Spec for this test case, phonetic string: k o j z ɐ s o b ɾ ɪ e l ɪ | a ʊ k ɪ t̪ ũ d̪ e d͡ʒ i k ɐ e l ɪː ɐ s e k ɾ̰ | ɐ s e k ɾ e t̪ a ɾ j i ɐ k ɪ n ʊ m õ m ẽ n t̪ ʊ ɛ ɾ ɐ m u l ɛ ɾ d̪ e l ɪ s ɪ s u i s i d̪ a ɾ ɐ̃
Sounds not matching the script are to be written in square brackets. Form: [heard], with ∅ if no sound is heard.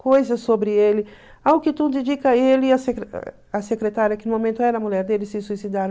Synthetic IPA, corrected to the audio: k o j z ɐ s o b ɾ ɪ e l ɪ | a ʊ k ɪ t̪ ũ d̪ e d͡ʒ i k ɐ e l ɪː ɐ s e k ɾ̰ | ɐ s e k ɾ e t̪ a ɾ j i ɐ k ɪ n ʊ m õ m ẽ n t̪ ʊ ɛ ɾ ɐ m u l ɛ ɾ d̪ e l ɪ s ɪ s u i s i d̪ a ɾ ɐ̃